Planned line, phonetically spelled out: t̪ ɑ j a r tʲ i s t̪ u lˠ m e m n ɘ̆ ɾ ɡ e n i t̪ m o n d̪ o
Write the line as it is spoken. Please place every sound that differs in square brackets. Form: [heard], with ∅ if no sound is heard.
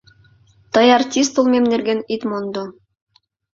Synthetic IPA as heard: t̪ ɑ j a r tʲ i s t̪ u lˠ m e m n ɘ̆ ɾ ɡ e n i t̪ m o n d̪ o